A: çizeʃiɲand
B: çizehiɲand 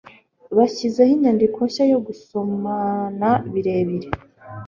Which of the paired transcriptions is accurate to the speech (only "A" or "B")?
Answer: B